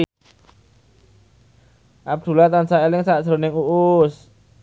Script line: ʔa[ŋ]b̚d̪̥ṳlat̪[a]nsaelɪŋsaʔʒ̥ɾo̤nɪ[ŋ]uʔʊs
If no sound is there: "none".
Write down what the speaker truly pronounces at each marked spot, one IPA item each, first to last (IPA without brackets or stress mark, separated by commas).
none, a, ŋ